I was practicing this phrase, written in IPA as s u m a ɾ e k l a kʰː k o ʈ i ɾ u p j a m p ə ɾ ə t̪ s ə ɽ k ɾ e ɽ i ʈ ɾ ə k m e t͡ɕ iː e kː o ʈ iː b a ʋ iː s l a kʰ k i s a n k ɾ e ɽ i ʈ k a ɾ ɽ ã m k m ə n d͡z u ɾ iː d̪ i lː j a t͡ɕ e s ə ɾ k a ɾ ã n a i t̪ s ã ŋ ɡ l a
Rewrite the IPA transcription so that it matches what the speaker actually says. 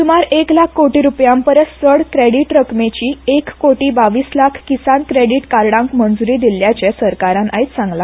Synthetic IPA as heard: s u m a ɾ e k l a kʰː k o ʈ i ɾ u p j a m p ə ɾ ə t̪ s ə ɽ k ɾ e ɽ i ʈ ɾ ə k m e t͡ɕ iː e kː o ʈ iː b a ʋ iː s l a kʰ k i s a n k ɾ e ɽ i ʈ k a ɾ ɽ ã ŋ k m ə n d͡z u ɾ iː d̪ i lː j a t͡ɕ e s ə ɾ k a ɾ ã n a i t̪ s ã ŋ ɡ l a